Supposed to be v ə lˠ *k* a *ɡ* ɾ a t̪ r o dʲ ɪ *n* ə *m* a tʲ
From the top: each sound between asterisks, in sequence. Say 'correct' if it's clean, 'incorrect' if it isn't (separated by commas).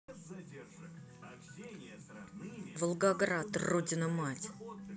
incorrect, correct, correct, correct